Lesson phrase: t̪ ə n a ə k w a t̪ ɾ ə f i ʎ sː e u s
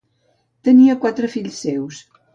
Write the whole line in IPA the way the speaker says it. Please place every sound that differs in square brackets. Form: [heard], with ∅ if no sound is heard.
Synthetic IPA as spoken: t̪ ə n [i] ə k w a t̪ ɾ ə f i ʎ sː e [w] s